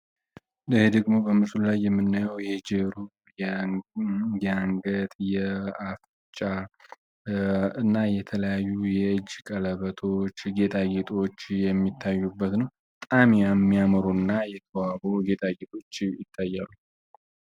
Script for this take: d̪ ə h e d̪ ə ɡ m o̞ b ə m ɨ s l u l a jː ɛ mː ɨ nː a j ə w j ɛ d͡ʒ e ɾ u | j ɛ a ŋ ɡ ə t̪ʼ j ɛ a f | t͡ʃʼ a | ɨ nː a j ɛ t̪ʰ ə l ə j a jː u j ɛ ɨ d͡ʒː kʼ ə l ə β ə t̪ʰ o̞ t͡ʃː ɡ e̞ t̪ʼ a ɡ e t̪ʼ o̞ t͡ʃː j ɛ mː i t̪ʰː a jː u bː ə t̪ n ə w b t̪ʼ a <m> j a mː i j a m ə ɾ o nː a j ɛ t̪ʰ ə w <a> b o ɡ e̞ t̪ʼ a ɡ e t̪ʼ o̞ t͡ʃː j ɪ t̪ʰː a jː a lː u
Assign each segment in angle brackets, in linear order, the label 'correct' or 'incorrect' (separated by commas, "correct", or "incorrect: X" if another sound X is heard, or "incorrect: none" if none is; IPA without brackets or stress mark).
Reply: correct, correct